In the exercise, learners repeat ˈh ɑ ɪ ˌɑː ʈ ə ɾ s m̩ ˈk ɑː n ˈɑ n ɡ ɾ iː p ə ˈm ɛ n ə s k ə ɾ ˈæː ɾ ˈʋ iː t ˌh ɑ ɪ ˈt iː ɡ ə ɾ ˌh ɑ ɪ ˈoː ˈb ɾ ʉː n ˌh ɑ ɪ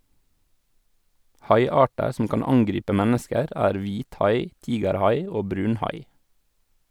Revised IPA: ˈh ɑ ɪ ˌɑː ʈ ə ɾ s m̩ ˈk ɑː n ˈɑ ŋ ɡ ɾ iː p ə ˈm ɛ n ə s k ə ɾ ˈæː ɾ ˈʋ iː t ˌh ɑ ɪ ˈt iː ɡ ə ɾ ˌh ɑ ɪ ˈoː ˈb ɾ ʉː n ˌh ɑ ɪ

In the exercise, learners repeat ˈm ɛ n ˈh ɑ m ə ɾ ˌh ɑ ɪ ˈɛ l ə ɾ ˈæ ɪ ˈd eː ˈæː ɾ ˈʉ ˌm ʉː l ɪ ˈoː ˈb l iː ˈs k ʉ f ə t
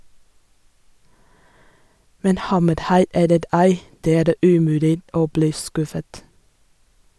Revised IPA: ˈm ɛ n ˈh ɑ m ə ɾ ˌh ɑ ɪ ˈɛ l ə ɾ ˈæ ɪ ˈd eː ˈæː ɾ ˈʉː ˌm ʉː l ɪ ˈoː ˈb l iː ˈs k ʉ f ə t

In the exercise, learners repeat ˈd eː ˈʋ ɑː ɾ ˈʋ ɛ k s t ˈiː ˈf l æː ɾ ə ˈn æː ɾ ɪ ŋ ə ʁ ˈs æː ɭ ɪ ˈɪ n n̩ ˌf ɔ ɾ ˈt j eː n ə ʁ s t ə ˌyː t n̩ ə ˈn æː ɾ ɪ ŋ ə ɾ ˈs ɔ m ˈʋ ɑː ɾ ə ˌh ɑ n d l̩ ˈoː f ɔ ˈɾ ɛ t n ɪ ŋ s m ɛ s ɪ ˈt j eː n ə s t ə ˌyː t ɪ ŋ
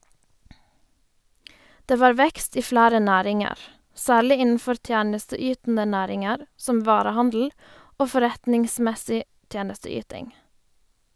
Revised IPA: ˈd eː ˈʋ ɑː ɾ ˈʋ ɛ k s t ˈiː ˈf l æː ɾ ə ˈn æː ɾ ɪ ŋ ə ʁ ˈs æː ɭ ɪ ˈɪ n n̩ ˌf ɔ ɾ ˈt j æː n ə s t ə ˌyː t n̩ ə ˈn æː ɾ ɪ ŋ ə ɾ ˈs ɔ m ˈʋ ɑː ɾ ə ˌh ɑ n d l̩ ˈoː f ɔ ˈɾ ɛ t n ɪ ŋ s m ɛ s ɪ ˈt j eː n ə s t ə ˌyː t ɪ ŋ

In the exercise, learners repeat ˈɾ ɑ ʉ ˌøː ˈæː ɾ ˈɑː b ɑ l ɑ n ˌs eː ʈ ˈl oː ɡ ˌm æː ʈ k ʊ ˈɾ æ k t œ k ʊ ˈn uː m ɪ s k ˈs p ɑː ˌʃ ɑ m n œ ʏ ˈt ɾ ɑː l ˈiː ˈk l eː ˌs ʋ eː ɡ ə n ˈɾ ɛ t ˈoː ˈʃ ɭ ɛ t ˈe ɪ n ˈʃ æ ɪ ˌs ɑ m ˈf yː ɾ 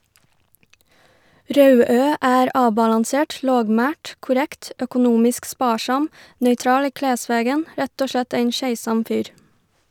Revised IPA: ˈɾ ɑ ʉ ˌøː ˈæː ɾ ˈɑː b ɑ l ɑ n ˌs eː ʈ ˈl oː ɡ ˌm æː ʈ k ʊ ˈɾ ɛ k t œ k ʊ ˈn uː m ɪ s k ˈs p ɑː ˌʃ ɑ m n œ ʏ ˈt ɾ ɑː l ˈiː ˈk l eː ˌs ʋ eː ɡ ə n ˈɾ ɛ t ˈoː ˈʃ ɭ ɛ t ˈe ɪ n ˈʃ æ ɪ ˌs ɑ m ˈf yː ɾ

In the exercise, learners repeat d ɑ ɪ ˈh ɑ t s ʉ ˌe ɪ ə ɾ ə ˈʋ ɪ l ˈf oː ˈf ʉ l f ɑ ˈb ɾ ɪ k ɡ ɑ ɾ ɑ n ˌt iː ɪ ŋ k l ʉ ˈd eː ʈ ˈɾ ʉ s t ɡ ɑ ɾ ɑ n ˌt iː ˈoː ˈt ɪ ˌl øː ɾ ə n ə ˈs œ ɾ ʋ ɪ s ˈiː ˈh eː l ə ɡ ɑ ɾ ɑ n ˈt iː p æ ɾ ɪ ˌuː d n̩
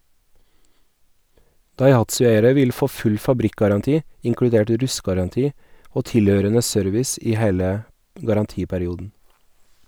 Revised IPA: d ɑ ɪ ˈh ɑ t s ʉ ˌe ɪ ə ɾ ə ˈʋ ɪ l ˈf oː ˈf ʉ l f ɑ ˈb ɾ ɪ k ɡ ɑ ɾ ɑ n ˌt iː ɪ ŋ k ɽ ʉ ˈd eː ʈ ˈɾ ʉ s t ɡ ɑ ɾ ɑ n ˌt iː ˈoː ˈt ɪ ˌl øː ɾ ə n ə ˈs œ ɾ ʋ ɪ s ˈiː ˈh eː l ə ɡ ɑ ɾ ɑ n ˈt iː p æ ɾ ɪ ˌuː d n̩

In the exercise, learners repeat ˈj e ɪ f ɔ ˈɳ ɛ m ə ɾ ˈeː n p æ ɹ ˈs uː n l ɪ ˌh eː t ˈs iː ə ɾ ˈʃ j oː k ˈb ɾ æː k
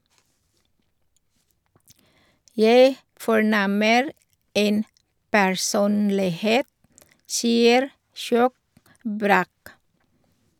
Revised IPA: ˈj æ ɪ f ɔ ˈɳ ɛ m ə ɾ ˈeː n p æ ɹ ˈs uː n l ɪ ˌh eː t ˈs iː ə ɾ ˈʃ j oː k ˈb ɾ æː k

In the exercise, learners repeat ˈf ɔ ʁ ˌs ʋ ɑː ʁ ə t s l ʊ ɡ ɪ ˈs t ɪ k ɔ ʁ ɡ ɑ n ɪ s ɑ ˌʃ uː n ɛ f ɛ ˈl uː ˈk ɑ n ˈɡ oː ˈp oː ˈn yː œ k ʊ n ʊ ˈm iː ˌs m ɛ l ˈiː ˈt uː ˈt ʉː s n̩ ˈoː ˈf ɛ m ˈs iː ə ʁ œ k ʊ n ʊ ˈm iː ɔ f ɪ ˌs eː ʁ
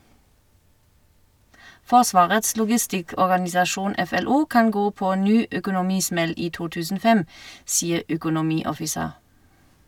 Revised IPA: ˈf ɔ ʁ ˌs ʋ ɑː ʁ ə t s l ʊ ɡ ɪ ˈs t ɪ k ɔ ʁ ɡ ɑ n ɪ s ɑ ˌʃ uː n ɛ f ɛ ˈl uː ˈk ɑ n ˈɡ oː ˈp oː ˈn yː œ k ʊ n ʊ ˈm iː ˌs m ɛ l ˈiː ˈt uː ˈt ʉː s n̩ ˈoː ˈf ɛ m ˈs iː ə ʁ œ k ʊ n ʊ ˈm iː ɔ f ɪ ˌs eː ʁ

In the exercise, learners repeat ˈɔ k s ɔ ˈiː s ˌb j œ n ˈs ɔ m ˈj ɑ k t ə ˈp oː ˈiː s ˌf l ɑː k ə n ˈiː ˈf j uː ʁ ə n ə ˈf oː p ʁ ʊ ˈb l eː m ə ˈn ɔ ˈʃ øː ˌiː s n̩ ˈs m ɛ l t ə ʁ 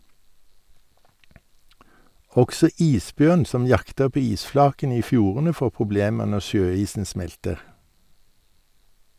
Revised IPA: ˈɔ k s ɔ ˈiː s ˌb j œ n ˈs ɔ m ˈj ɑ k t ə ˈp oː ˈiː s ˌf l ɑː k ə n ˈiː ˈf j uː ʁ ə n ə ˈf oː p ʁ ʊ ˈb l eː m ə ˈn ɔ ˈʃ øː ˌiː s n̩ ˈs m ɛ l t ə ʁ

